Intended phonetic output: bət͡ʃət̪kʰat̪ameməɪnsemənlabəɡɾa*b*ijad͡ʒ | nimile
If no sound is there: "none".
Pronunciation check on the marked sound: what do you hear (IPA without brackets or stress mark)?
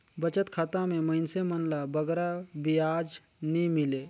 b